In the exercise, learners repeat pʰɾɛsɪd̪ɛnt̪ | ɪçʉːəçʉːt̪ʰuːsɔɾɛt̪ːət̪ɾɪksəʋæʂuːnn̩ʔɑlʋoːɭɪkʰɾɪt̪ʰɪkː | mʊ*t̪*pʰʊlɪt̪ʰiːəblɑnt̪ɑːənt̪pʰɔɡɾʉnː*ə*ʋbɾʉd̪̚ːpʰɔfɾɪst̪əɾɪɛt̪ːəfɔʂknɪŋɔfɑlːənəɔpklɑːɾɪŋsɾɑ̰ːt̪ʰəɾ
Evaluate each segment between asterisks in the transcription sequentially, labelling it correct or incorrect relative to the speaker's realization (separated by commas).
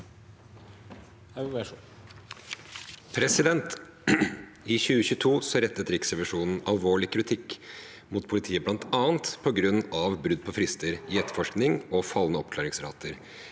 correct, incorrect